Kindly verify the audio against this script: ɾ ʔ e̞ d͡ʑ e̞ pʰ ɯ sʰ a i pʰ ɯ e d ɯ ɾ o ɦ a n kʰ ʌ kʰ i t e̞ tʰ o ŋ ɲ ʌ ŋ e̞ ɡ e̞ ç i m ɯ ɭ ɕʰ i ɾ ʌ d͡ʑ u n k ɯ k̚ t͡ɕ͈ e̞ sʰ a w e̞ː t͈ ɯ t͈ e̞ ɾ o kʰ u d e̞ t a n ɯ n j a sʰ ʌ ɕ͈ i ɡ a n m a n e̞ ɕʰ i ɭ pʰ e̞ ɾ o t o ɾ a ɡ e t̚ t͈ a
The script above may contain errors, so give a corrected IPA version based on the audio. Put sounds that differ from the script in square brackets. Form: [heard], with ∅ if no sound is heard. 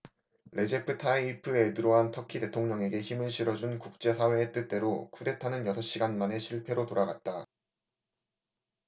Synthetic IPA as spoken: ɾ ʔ e̞ d͡ʑ e̞ pʰ ɯ [tʰ] a i pʰ ɯ e d ɯ ɾ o ɦ a n [tʰ] ʌ kʰ i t e̞ tʰ o ŋ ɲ ʌ ŋ e̞ ɡ e̞ ç i m ɯ ɭ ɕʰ i ɾ ʌ d͡ʑ u n k [u] k̚ t͡ɕ͈ e̞ sʰ a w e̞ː t͈ ɯ t͈ e̞ ɾ o kʰ u d e̞ [tʰ] a n ɯ n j [ʌ] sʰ ʌ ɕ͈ i ɡ a n m a n e̞ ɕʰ i ɭ pʰ e̞ ɾ o t o ɾ a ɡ [a] t̚ t͈ a